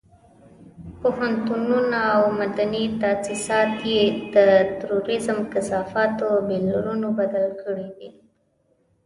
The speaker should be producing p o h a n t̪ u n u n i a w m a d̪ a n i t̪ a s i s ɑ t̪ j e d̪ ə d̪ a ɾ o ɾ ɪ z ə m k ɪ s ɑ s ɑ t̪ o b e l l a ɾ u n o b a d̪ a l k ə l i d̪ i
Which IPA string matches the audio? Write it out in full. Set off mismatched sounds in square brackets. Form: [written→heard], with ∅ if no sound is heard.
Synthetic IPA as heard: p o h a n t̪ u n u n [i→a] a w m a d̪ a n i t̪ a s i s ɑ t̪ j e d̪ ə [d̪→t̪] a ɾ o ɾ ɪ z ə m k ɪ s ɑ [s→f] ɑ t̪ o b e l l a ɾ u n o b a d̪ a l k ə [l→ɽ] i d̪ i